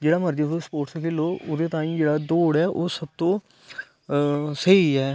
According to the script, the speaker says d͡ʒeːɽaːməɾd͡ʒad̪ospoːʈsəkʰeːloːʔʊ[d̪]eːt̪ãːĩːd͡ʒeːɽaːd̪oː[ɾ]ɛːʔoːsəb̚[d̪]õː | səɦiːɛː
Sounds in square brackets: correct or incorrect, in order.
correct, incorrect: ɽ, incorrect: t̪

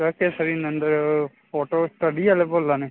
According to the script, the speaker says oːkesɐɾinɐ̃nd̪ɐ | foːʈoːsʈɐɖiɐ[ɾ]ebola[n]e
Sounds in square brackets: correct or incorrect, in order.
incorrect: l, correct

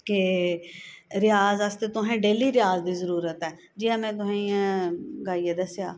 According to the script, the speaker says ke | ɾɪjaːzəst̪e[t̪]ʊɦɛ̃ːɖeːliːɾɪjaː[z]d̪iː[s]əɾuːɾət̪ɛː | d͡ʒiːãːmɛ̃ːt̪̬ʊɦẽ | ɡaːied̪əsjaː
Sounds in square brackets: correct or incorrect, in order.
correct, correct, incorrect: z

